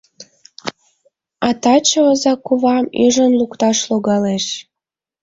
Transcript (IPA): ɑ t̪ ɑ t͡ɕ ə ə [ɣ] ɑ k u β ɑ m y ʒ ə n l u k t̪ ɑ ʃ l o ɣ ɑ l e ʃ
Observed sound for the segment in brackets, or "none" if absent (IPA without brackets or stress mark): z